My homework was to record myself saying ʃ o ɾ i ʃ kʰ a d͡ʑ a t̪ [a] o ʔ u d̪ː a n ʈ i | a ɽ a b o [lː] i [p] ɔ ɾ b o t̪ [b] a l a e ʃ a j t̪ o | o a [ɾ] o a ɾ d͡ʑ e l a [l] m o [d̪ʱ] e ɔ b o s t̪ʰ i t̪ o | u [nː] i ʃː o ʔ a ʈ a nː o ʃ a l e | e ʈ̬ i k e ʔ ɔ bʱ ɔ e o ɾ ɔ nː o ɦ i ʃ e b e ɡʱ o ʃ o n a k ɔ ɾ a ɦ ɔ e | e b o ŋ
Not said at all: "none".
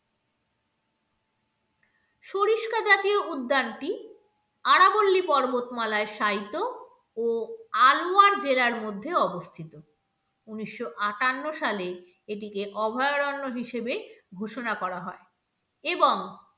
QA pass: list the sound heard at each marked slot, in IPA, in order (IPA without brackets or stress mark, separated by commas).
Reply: i, lː, p, m, l, ɾ, d̪ʱː, n